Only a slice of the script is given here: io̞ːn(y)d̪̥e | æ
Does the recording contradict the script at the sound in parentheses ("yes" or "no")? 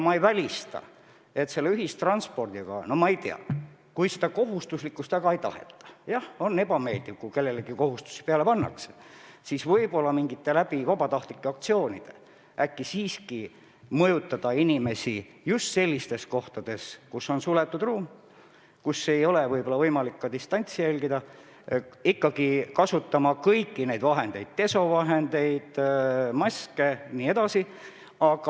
yes